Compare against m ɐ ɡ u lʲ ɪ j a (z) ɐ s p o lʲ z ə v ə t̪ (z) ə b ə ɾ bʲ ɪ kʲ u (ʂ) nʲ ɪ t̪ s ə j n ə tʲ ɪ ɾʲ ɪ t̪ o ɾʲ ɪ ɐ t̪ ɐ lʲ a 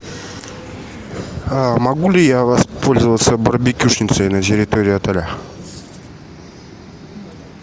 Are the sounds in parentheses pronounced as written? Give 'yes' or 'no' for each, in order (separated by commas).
no, no, yes